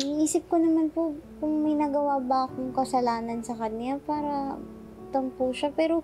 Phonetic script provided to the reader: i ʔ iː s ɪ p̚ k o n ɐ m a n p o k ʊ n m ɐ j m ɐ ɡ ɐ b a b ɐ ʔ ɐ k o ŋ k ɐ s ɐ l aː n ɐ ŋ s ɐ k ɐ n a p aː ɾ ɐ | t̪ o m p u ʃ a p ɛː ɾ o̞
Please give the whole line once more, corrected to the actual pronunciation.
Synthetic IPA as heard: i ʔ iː s ɪ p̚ k o n ɐ m a n p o k ʊ ŋ m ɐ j n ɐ ɡ ɐ w a b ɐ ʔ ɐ k o ŋ k ɐ s ɐ l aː n ɐ n s ɐ k ɐ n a p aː ɾ ɐ | t̪ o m p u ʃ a p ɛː ɾ o̞